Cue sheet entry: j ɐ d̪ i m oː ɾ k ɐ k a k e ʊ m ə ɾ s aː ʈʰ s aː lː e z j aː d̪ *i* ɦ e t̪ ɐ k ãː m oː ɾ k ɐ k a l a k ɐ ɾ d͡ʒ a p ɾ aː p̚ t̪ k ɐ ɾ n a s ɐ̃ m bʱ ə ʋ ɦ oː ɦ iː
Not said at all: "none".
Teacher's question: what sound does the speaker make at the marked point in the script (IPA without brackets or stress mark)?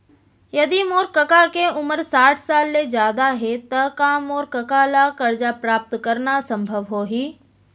a